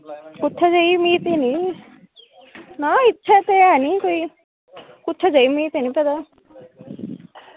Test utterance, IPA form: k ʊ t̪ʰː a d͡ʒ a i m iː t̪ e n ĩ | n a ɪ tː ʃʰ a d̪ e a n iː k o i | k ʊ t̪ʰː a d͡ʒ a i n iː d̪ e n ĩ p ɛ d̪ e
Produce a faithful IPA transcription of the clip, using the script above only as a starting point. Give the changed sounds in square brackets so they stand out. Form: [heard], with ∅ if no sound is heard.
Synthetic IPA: k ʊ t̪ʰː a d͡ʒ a i m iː t̪ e n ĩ | n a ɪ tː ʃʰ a [t̪] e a n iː k o i | k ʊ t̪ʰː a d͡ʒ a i [m] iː [t̪] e n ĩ p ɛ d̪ [a]